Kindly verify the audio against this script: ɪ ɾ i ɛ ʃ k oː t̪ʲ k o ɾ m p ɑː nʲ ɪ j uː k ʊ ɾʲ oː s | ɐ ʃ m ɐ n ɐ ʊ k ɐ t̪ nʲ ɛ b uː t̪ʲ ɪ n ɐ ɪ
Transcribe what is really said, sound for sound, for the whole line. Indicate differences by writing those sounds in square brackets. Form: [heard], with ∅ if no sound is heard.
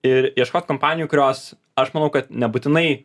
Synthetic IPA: ɪ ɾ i ɛ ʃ k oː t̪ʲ k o [∅] m p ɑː nʲ ɪ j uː k ʊ ɾʲ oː s | ɐ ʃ m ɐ n ɐ ʊ k ɐ t̪ nʲ ɛ b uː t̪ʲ ɪ n ɐ ɪ